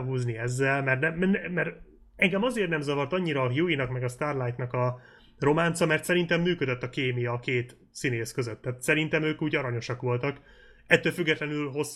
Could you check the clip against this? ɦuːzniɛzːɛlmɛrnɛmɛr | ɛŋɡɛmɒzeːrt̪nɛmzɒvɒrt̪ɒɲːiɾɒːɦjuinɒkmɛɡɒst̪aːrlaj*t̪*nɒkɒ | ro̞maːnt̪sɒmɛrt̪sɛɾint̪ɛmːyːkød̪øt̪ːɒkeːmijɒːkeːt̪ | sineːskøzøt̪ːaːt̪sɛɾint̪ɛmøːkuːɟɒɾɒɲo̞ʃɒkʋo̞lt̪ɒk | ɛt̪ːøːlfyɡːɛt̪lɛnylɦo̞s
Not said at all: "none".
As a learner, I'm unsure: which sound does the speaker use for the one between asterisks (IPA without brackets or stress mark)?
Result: t̪